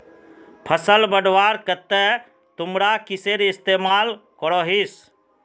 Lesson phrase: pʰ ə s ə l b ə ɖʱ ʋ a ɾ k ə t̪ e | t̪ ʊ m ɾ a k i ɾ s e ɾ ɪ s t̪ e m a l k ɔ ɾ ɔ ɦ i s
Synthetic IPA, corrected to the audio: pʰ ə s ə l b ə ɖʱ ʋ a ɾ k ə t̪ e | t̪ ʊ m ɾ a k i s e ɾ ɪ s t̪ e m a l k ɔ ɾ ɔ ɦ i s

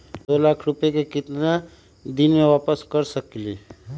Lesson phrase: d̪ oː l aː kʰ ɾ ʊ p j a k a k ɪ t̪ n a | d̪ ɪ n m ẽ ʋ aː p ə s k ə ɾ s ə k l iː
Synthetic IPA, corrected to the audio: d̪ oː l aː kʰ ɾ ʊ p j e k e k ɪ t̪ n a | d̪ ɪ n m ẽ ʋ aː p ə s k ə ɾ s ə k l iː

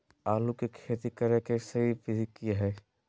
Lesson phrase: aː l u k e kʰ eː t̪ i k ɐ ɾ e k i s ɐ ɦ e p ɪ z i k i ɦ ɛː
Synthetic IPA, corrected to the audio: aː l u k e kʰ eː t̪ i k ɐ ɾ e k e s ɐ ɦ i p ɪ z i k i ɦ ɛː

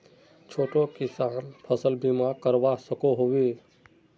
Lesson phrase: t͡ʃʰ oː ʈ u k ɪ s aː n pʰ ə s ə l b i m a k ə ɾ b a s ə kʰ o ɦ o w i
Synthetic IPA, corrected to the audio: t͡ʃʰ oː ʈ o k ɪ s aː n pʰ ə s ə l b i m a k ə ɾ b a s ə k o ɦ o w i

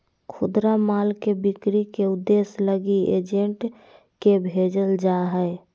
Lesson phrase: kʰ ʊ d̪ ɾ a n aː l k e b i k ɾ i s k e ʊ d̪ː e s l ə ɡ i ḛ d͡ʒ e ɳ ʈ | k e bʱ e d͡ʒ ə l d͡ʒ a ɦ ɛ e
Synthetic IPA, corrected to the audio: kʰ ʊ d̪ ɾ a m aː l k e b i k ɾ i k e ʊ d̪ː e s l ə ɡ i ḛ d͡ʒ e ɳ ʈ | k e bʱ e d͡ʒ ə l d͡ʒ a ɦ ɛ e

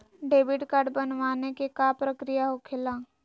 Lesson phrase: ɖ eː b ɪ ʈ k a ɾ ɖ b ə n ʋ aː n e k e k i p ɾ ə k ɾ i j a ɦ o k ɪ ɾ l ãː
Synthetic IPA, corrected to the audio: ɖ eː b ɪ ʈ k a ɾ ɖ b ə n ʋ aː n e k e k a p ɾ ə k ɾ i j a ɦ o kʰ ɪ l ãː

